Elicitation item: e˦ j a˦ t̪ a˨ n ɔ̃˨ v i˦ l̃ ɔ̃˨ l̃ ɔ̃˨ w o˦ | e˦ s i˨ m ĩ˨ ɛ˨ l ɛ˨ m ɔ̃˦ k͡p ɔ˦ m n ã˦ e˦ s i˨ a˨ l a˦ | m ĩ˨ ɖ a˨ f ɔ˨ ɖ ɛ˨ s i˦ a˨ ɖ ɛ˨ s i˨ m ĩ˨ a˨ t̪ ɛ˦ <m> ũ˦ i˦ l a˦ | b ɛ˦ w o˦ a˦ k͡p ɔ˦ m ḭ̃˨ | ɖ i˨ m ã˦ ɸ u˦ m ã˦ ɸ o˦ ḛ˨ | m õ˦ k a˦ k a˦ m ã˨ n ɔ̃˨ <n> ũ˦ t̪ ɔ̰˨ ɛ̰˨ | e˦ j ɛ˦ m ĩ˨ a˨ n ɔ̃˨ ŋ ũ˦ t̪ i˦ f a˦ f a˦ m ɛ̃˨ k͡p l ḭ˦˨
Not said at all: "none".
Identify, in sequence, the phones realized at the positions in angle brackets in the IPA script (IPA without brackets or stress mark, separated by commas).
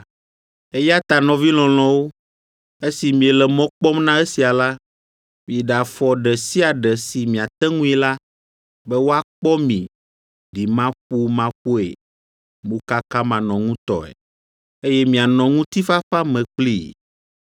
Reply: ŋ, ŋ